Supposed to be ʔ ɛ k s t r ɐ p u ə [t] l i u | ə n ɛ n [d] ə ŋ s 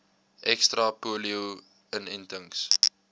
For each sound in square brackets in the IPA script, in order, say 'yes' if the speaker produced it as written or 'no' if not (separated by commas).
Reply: no, no